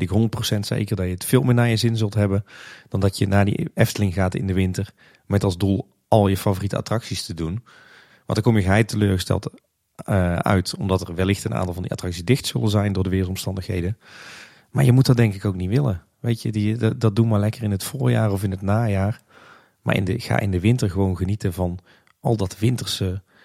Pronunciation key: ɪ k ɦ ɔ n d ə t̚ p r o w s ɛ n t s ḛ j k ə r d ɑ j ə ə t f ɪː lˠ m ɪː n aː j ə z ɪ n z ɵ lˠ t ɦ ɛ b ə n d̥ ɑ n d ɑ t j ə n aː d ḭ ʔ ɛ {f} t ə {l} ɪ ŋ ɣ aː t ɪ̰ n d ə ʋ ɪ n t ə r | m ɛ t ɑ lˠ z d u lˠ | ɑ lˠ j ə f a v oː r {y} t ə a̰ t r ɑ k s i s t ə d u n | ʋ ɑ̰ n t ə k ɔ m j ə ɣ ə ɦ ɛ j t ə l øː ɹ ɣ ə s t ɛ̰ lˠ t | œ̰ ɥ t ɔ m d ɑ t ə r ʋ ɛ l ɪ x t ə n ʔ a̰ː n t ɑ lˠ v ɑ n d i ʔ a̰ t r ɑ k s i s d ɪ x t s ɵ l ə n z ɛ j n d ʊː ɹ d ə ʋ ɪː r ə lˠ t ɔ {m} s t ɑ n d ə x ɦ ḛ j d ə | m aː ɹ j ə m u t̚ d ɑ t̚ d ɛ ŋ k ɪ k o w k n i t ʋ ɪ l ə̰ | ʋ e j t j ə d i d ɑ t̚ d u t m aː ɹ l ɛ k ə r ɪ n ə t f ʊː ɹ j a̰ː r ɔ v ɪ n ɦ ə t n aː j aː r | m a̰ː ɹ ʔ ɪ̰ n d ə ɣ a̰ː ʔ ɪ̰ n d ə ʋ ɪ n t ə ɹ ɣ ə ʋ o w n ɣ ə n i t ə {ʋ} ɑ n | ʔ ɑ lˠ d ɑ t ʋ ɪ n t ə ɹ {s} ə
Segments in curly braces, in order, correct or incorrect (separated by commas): correct, correct, incorrect, correct, incorrect, correct